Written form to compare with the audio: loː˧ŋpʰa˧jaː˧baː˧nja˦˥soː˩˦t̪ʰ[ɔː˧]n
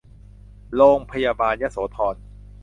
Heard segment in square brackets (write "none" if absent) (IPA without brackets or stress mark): ɔː˧